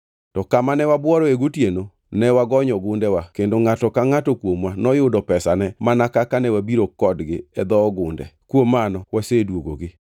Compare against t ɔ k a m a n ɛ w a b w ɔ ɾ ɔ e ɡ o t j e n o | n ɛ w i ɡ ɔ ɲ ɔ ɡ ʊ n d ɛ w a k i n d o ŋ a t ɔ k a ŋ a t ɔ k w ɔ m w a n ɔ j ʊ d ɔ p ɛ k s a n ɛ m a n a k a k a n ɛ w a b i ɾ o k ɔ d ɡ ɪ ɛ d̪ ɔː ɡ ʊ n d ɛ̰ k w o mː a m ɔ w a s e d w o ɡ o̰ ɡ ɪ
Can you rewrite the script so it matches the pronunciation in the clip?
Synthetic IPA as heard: t ɔ k a m a n ɛ w a b w ɔ ɾ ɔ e ɡ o t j e n o | n ɛ w a ɡ ɔ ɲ ɔ ɡ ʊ n d ɛ w a k e n d o ŋ a t ɔ k a ŋ a t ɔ k w o m w a n ɔ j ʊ d ɔ p ɛ s a n ɛ m a n a k a k a n ɛ w a b i ɾ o k ɔ d ɡ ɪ ɛ d̪ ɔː ɡ ʊ n d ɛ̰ k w o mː a n ɔ w a s e d w o ɡ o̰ ɡ ɪ